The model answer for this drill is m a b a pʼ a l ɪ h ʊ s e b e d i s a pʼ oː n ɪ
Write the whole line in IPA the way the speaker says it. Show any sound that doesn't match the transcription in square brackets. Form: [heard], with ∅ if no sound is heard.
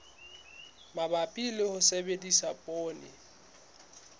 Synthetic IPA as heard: m a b a pʼ [i] l ɪ h ʊ s e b e d i s a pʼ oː n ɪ

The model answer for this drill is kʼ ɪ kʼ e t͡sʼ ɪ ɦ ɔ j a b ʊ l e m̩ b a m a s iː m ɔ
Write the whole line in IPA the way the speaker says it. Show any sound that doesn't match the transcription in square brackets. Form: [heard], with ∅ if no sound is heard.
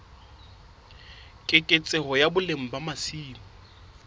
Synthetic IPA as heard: kʼ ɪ kʼ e t͡sʼ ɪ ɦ ɔ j a b ʊ l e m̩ b a m a s iː m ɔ

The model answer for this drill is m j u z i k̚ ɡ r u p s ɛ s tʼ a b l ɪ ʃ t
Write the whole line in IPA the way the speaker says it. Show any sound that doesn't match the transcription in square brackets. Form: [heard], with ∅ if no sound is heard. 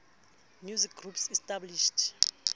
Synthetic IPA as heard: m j u z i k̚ ɡ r u p s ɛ s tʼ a b l [i] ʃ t

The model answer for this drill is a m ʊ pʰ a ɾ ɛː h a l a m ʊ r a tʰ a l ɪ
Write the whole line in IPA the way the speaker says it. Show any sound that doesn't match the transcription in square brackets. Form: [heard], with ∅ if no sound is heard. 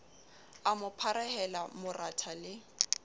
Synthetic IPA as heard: a m ʊ pʰ a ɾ [ɛ] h [ɛ] l a m ʊ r a tʰ a l ɪ

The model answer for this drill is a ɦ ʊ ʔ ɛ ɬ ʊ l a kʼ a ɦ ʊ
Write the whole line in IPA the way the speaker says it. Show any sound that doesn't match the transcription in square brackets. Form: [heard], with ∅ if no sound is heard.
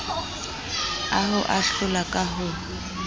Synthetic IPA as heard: a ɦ ʊ ʔ [a] ɬ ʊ l a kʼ a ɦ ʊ

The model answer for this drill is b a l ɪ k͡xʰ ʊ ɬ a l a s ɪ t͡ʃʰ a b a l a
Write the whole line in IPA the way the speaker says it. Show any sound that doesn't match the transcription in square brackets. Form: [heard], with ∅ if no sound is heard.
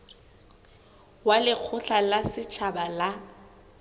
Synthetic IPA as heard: [w] a l ɪ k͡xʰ ʊ ɬ a l a s ɪ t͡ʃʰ a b a l a

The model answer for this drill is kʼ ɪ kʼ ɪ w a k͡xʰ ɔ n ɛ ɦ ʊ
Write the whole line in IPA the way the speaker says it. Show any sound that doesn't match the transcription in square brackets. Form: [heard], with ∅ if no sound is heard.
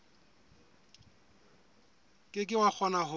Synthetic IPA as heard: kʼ ɪ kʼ ɪ w a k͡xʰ ɔ n [a] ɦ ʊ

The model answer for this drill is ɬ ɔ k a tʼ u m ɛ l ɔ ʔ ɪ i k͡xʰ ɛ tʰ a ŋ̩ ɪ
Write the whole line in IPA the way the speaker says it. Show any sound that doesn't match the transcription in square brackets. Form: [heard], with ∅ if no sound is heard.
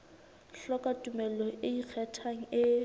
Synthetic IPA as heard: ɬ ɔ k a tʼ u m ɛ l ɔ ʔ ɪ i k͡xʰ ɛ tʰ a ŋ̩ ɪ

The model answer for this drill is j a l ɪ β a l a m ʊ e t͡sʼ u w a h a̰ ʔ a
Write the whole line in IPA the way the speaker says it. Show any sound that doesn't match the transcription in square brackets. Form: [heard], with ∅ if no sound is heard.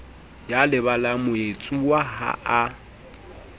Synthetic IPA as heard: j a l ɪ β a l a m ʊ e t͡sʼ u w a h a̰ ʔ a

